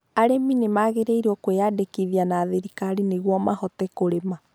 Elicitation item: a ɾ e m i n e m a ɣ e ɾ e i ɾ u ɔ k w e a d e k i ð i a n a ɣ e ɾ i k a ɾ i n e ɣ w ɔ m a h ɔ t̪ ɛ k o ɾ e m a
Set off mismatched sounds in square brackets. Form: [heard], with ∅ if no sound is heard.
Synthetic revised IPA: a ɾ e m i n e m a ɣ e ɾ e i ɾ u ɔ k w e a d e k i ð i a n a [ð] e ɾ i k a ɾ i n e ɣ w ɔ m a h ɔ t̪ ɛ k o ɾ e m a